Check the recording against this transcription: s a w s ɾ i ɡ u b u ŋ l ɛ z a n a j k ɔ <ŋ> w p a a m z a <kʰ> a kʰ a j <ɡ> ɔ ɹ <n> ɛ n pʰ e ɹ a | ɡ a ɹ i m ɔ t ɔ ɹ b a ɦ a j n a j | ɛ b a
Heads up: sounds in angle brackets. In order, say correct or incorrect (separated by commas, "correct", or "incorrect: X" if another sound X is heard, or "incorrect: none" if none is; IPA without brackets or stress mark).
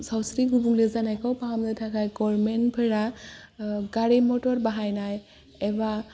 incorrect: none, incorrect: tʰ, correct, incorrect: m